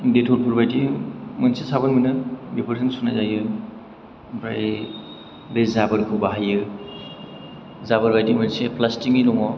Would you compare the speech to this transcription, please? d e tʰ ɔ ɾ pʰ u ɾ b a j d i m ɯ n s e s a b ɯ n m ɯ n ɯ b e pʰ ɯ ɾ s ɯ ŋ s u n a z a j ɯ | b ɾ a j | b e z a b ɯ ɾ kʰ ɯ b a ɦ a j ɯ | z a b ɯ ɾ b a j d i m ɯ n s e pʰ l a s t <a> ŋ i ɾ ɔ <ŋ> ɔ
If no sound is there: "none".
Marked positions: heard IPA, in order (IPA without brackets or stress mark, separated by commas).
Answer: i, ŋ